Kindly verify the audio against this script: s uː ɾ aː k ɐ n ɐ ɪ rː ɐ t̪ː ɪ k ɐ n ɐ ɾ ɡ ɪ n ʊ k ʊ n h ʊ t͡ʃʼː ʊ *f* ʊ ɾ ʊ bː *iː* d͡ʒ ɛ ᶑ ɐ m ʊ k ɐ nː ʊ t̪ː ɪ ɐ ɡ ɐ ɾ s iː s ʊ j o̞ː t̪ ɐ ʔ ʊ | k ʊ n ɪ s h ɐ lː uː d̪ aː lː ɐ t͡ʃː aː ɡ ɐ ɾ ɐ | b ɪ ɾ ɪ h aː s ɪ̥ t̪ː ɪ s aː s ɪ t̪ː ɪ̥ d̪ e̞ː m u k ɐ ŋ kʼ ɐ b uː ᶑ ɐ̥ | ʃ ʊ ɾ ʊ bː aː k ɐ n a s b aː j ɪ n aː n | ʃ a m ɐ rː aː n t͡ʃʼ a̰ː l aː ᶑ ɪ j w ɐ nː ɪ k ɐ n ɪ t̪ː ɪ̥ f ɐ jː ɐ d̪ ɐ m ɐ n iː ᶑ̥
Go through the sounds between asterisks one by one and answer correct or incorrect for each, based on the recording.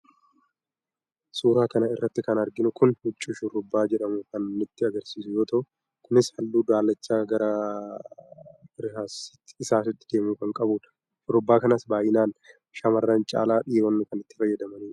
incorrect, incorrect

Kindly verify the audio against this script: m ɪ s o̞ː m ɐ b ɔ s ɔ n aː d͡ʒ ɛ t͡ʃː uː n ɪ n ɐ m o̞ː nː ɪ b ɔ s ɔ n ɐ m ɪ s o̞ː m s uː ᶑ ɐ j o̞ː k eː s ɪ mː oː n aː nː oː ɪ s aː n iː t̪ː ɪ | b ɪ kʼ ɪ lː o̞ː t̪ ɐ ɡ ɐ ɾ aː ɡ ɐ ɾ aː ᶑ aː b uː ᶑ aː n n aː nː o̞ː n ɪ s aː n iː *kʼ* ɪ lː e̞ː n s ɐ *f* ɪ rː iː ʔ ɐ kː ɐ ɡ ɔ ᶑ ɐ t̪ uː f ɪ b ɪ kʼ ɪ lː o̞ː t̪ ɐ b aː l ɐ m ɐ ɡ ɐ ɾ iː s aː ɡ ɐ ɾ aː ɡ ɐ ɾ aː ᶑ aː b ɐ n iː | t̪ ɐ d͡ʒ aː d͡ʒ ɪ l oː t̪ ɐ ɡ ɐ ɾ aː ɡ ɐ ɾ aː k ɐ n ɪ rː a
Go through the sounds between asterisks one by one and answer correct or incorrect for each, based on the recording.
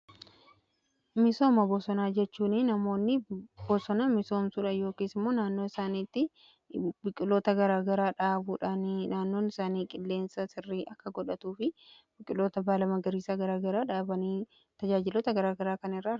correct, incorrect

